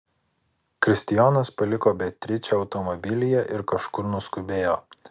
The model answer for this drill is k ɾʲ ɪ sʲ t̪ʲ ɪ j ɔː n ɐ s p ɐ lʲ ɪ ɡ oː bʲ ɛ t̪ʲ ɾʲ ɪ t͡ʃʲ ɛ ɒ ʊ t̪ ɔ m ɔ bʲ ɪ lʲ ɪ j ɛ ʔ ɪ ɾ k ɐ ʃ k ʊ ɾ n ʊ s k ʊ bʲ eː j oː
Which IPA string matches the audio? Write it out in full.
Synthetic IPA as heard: k ɾʲ ɪ sʲ t̪ʲ ɪ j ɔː n ɐ s p ɐ lʲ ɪ k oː bʲ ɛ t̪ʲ ɾʲ ɪ t͡ʃʲ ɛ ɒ ʊ t̪ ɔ m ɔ bʲ ɪ lʲ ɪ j ɛ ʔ ɪ ɾ k ɐ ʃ k ʊ ɾ n ʊ s k ʊ bʲ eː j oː

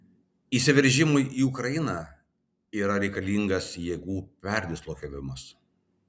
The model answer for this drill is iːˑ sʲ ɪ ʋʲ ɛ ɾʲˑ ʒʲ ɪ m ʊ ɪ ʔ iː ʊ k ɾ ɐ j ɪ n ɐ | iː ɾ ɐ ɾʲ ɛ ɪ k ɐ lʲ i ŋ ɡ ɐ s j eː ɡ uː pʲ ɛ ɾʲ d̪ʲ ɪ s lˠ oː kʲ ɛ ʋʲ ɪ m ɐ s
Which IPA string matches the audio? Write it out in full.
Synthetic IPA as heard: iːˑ sʲ ɪ ʋʲ ɛ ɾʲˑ ʒʲ ɪ m ʊ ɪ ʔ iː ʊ k ɾ ɐ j ɪ n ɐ | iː ɾ ɐ ɾʲ ɛ ɪ k ɐ lʲ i ŋ ɡ ɐ s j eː ɡ uː pʲ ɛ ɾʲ d̪ʲ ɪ s lˠ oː kʲ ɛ ʋʲ ɪ m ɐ s

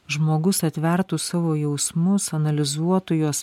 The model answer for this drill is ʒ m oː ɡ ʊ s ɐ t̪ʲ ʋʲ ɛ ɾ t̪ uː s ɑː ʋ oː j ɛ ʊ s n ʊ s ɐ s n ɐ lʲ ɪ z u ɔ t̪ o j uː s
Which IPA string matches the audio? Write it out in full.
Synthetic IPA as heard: ʒ m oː ɡ ʊ s ɐ t̪ʲ ʋʲ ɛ ɾ t̪ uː s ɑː ʋ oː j ɛ ʊ s m ʊ s ɐ n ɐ lʲ ɪ z u ɔ t̪ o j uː s

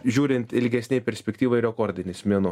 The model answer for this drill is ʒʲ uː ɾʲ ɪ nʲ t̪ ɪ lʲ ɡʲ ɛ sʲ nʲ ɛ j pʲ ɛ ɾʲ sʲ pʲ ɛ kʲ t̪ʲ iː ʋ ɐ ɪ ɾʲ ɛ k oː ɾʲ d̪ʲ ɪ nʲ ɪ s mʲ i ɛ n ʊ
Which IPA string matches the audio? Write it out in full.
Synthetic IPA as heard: ʒʲ uː ɾʲ ɪ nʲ t̪ ɪ lʲ ɡʲ ɛ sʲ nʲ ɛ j pʲ ɛ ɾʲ sʲ pʲ ɛ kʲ t̪ʲ iː ʋ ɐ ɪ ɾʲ ɛ k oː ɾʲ d̪ʲ ɪ nʲ ɪ s mʲ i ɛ n ʊ

